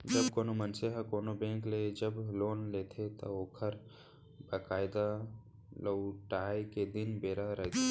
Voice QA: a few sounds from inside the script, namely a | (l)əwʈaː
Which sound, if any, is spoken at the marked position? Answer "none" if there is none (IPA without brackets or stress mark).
l